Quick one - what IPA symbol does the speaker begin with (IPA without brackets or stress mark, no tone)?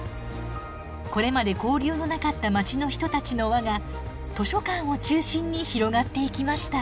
k